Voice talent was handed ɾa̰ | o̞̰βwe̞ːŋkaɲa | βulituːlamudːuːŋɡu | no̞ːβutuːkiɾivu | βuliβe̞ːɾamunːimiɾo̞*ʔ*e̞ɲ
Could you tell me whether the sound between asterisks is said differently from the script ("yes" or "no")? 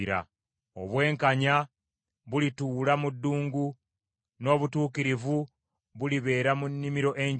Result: no